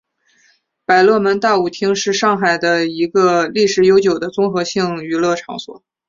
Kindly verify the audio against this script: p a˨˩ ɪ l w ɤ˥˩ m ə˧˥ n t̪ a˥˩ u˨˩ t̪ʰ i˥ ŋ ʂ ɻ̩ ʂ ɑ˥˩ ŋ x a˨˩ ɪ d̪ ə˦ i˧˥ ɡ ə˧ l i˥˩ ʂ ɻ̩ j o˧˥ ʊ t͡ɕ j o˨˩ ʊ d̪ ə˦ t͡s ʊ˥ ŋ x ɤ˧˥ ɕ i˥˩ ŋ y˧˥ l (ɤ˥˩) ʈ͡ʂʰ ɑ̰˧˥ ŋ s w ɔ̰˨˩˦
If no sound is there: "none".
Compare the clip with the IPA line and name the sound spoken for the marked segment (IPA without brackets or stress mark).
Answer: ɤ˥˩